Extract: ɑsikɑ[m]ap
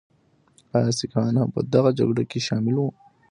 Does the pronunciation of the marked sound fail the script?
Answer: yes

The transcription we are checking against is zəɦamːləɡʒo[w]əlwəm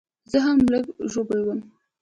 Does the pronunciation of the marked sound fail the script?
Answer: yes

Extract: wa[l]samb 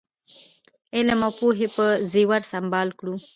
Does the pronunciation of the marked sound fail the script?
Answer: yes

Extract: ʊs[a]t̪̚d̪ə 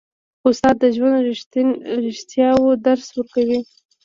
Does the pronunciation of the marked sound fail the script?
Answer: yes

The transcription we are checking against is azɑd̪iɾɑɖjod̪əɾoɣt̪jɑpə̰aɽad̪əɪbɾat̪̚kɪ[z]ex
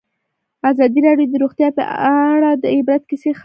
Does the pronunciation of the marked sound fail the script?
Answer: yes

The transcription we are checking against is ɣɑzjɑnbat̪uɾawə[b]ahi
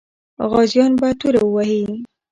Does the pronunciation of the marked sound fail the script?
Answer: yes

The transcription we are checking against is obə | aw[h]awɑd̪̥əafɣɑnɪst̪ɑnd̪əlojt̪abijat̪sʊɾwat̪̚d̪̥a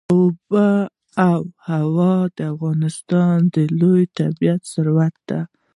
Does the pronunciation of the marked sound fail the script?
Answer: no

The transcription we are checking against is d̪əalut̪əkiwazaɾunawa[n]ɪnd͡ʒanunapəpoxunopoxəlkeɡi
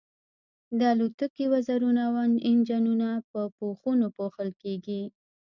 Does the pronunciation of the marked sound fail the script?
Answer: no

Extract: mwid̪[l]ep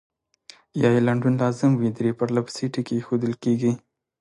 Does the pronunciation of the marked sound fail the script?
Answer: yes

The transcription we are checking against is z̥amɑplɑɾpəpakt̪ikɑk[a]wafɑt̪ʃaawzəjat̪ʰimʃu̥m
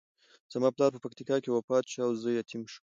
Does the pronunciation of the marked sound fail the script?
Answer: yes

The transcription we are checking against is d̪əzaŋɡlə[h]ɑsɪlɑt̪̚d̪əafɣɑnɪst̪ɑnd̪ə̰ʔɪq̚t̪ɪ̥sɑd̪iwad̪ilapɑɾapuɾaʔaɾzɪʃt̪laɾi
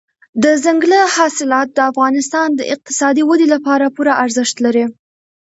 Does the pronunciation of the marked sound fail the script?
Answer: no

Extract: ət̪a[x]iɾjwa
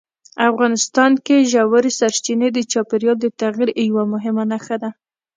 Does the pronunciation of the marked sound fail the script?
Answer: yes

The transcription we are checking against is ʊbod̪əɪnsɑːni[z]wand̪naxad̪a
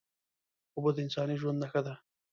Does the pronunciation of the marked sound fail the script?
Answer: yes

